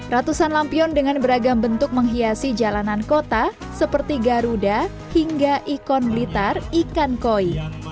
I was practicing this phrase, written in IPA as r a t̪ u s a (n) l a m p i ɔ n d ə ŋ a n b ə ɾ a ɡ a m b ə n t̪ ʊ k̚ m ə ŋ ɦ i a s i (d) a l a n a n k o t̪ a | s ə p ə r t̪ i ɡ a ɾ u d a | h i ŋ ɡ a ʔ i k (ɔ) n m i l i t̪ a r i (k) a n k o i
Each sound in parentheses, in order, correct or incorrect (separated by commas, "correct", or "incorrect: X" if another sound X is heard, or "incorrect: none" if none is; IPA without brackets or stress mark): correct, incorrect: d͡ʒ, correct, correct